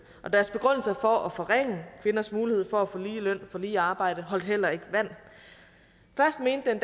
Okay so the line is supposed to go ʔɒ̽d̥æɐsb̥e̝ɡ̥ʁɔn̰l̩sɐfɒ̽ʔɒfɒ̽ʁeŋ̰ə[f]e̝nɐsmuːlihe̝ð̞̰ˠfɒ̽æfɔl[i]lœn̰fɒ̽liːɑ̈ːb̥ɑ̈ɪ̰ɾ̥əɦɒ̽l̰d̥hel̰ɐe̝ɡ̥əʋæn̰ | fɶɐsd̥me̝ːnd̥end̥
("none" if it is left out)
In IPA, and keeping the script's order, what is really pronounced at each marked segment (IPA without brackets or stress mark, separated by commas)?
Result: f, iː